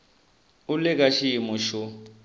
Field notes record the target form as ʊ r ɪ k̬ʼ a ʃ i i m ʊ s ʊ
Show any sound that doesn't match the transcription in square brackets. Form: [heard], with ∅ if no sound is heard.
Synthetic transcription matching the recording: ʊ [l] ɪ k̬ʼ a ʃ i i m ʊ [ʃ] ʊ